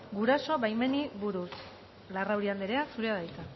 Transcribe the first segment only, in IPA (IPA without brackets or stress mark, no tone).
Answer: ɡ